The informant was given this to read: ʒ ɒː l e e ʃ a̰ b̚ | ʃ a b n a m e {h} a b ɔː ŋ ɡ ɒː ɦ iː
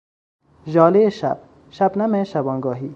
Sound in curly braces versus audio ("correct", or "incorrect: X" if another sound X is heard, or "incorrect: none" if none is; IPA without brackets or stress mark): incorrect: ʃ